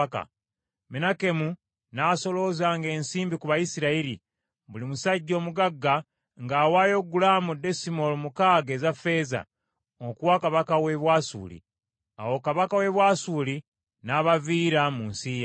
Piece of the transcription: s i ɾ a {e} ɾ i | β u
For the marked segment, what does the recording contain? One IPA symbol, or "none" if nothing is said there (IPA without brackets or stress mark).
i